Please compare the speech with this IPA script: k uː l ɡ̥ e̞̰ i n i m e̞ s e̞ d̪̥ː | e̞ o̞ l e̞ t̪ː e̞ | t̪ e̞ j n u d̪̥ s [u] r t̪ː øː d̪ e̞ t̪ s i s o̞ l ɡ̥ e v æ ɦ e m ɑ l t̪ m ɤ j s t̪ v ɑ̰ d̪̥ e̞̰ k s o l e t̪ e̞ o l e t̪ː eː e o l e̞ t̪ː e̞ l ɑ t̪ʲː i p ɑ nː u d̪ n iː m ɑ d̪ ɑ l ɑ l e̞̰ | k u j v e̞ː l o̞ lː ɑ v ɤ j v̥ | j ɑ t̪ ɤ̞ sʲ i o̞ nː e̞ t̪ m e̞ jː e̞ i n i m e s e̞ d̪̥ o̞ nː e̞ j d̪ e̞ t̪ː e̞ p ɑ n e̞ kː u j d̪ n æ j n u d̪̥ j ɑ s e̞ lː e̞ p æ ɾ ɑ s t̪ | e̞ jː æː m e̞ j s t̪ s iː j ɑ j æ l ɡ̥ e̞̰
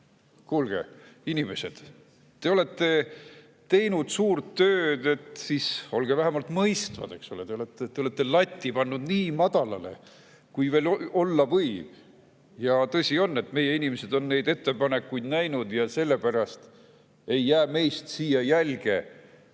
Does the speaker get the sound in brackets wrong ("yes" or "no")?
yes